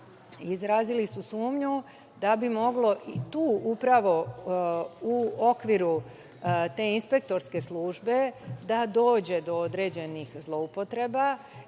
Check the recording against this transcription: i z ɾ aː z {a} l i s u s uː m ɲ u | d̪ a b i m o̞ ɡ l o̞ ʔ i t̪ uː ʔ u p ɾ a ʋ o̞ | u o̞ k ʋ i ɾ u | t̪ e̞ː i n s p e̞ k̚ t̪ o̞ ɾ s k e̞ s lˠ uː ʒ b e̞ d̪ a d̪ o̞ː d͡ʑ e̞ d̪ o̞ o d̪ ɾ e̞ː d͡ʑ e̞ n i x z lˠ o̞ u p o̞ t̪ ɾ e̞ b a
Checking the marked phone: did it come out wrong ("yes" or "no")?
yes